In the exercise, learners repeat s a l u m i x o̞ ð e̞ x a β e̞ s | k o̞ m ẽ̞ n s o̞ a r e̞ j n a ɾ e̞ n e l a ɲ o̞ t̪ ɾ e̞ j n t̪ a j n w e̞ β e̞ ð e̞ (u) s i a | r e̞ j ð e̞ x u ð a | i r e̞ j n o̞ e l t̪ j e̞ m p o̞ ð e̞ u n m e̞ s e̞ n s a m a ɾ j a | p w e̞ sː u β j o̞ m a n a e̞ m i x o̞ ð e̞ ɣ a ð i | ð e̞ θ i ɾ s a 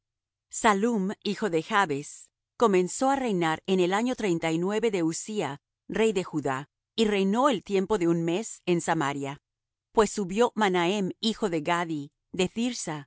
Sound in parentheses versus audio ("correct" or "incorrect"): correct